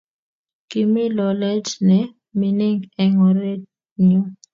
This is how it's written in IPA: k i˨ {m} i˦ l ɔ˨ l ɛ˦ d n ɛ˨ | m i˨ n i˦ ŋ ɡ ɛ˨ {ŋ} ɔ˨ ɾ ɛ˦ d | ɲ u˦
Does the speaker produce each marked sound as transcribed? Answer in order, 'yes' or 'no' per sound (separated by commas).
yes, yes